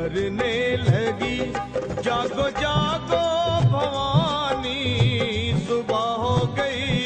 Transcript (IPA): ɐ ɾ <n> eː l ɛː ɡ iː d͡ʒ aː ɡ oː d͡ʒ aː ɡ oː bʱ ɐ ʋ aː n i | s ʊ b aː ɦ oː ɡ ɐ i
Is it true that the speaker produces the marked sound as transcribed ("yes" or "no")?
yes